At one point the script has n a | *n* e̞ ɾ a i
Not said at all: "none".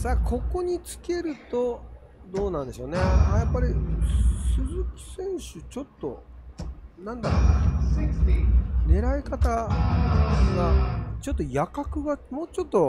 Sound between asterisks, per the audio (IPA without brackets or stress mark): n